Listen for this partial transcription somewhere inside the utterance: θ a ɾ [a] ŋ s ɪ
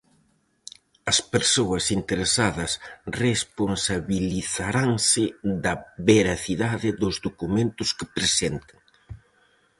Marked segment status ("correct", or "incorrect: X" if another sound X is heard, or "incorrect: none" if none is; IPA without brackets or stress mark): correct